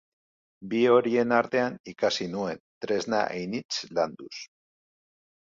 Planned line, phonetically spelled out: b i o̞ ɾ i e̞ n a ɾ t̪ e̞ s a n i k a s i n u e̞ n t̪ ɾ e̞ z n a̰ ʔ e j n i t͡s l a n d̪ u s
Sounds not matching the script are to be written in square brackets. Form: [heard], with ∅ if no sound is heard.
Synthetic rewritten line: b i o̞ ɾ i e̞ n a ɾ t̪ e̞ [∅] a n i k a s i n u e̞ n t̪ ɾ e̞ z n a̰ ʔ e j n i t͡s l a n d̪ u s